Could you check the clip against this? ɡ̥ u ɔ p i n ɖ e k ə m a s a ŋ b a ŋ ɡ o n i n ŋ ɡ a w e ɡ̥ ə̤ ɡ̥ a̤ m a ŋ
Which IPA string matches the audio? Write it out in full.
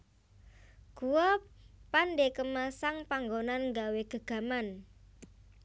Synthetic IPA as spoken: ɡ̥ u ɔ p a n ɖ e k ə m a s a ŋ p a ŋ ɡ o n a n ŋ ɡ a w e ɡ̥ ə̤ ɡ̥ a̤ m a n